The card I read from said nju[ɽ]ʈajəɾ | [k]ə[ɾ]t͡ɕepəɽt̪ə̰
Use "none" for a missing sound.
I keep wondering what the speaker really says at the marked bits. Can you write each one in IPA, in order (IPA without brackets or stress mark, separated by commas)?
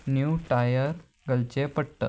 none, ɡ, l